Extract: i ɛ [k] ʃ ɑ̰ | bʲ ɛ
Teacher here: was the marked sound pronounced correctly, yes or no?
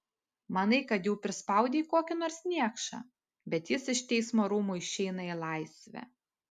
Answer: yes